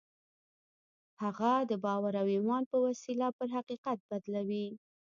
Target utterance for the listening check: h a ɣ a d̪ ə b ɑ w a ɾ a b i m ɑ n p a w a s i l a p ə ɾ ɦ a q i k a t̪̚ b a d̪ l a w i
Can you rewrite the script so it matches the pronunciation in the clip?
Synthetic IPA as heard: h a ɣ a d̪ ə b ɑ w a ɾ a w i m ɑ n p ə w a s i l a p ə ɾ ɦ a q i q a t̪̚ b a d̪ l a w i